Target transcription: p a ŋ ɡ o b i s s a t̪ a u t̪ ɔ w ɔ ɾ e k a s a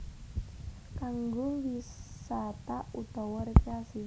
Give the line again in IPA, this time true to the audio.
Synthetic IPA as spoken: k a ŋ ɡ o w i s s a t̪ a u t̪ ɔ w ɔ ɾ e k a s i